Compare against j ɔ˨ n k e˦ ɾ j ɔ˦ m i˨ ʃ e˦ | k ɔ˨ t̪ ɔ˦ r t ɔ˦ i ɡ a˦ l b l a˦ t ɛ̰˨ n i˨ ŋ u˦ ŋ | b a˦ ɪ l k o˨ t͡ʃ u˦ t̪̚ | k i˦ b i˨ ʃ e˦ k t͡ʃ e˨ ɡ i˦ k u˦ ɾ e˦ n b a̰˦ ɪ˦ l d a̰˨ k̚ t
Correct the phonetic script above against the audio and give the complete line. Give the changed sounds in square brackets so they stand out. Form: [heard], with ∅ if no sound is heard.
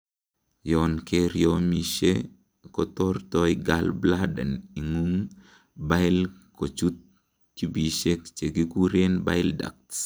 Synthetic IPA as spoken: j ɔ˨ n k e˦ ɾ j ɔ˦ m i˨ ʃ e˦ | k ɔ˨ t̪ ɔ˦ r t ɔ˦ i ɡ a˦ l b l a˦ [d] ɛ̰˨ n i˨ ŋ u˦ ŋ | b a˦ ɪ l k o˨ t͡ʃ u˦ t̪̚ | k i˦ b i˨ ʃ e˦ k t͡ʃ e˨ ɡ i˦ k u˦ ɾ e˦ n b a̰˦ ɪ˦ l d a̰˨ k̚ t